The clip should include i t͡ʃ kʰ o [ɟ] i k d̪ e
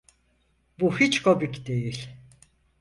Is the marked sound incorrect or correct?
incorrect